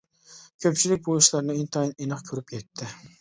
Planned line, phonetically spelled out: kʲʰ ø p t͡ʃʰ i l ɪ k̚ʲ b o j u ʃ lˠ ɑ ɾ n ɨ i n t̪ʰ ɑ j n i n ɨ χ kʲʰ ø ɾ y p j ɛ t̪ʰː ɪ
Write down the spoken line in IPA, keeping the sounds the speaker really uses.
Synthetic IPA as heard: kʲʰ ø p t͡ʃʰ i l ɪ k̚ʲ b o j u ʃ lˠ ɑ ɾ n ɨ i n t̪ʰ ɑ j n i n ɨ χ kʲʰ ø ɾ y p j ɛ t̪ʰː ɪ